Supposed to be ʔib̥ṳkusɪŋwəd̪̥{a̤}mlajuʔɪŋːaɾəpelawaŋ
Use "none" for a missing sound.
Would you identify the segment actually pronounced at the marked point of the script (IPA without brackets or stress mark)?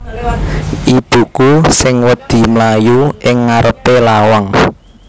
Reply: i̤